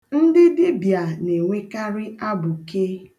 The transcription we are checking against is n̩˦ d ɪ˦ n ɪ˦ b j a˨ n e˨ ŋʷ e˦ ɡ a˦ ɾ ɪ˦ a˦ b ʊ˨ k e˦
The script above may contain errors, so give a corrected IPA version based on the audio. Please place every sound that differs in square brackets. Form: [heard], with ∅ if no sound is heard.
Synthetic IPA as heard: n̩˦ d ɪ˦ [d] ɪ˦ b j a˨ n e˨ ŋʷ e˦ [k] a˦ ɾ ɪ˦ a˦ b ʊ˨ k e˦